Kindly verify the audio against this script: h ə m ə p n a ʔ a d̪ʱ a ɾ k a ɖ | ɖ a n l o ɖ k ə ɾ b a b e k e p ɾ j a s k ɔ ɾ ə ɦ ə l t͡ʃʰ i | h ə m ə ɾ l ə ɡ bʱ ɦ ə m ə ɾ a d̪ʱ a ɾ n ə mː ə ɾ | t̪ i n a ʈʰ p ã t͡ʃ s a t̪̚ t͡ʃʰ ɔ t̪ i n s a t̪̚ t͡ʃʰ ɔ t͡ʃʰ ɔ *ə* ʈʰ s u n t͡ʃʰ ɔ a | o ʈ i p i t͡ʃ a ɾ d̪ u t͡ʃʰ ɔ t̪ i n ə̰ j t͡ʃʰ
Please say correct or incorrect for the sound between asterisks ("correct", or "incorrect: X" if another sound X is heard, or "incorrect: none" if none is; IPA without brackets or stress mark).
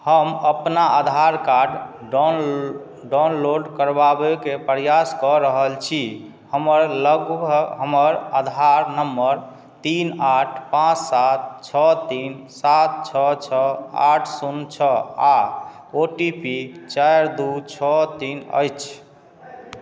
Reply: incorrect: a